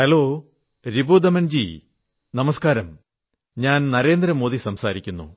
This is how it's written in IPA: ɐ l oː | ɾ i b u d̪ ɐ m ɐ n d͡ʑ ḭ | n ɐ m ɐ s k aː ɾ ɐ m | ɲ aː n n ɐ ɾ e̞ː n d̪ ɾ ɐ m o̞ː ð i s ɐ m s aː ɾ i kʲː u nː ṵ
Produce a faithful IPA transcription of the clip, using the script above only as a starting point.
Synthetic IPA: ɐ l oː | ɾ i b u d̪ ɐ m ɐ n d͡ʑ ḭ | n ɐ m ɐ s k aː ɾ ɐ m | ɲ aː n n ɐ ɾ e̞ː n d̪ ɾ ɐ m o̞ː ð i s ɐ m s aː ɾ i kʲː u nː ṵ